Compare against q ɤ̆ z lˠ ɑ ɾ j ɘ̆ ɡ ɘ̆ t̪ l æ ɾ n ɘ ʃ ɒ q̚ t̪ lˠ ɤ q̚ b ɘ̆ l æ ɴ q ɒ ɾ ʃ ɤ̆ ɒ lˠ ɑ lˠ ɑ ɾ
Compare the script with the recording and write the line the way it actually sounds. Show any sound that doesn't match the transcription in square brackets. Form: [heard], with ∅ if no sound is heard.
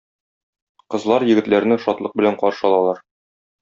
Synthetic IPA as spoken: q ɤ̆ z lˠ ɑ ɾ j ɘ̆ ɡ ɘ̆ t̪ l æ ɾ n ɘ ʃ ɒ [∅] t̪ lˠ ɤ q̚ b ɘ̆ l æ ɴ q ɒ ɾ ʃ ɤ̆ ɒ lˠ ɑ lˠ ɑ ɾ